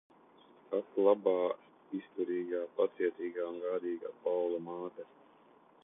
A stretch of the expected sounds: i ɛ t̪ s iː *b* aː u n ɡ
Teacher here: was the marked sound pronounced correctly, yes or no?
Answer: no